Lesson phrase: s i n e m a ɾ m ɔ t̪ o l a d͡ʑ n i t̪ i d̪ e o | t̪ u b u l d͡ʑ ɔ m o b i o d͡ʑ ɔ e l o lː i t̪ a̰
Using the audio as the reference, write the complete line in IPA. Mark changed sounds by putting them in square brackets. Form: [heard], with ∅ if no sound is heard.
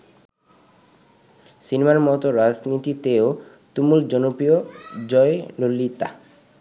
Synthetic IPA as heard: s i n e m a ɾ m ɔ t̪ o [ɾ] a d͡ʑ n i t̪ i [t̪] e o | t̪ u [m] u l d͡ʑ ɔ [n] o [p] i o d͡ʑ ɔ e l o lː i t̪ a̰